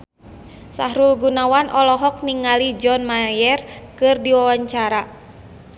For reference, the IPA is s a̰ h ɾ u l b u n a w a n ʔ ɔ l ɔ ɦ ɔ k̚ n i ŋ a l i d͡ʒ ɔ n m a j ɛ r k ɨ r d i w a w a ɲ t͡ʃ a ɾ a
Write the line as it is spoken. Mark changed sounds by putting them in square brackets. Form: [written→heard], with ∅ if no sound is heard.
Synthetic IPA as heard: s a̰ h ɾ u l [b→ɡ] u n a w a n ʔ ɔ l ɔ ɦ ɔ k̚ n i ŋ a l i d͡ʒ ɔ n m a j ɛ r k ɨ r d i w a w a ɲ t͡ʃ a ɾ a